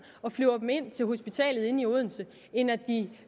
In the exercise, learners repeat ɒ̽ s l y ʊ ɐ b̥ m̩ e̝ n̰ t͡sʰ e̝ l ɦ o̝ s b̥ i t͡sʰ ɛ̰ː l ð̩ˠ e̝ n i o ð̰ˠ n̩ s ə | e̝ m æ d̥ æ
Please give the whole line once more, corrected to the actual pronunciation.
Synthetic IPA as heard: ɒ̽ f l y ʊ ɐ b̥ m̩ e̝ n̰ t͡sʰ e̝ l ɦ o̝ s b̥ i t͡sʰ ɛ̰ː l ð̩ˠ e̝ n i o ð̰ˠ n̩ s ə | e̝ n æ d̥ i